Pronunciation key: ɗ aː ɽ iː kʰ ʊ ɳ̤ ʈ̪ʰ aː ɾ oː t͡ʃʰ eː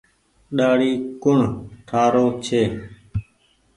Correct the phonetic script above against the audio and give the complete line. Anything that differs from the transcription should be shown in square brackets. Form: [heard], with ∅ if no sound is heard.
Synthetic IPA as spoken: ɗ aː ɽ iː [k] ʊ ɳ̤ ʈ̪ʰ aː ɾ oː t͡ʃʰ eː